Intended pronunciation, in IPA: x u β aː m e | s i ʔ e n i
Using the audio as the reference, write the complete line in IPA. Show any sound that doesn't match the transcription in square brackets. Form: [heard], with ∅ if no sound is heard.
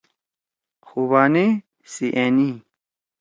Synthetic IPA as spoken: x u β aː [n] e | s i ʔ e n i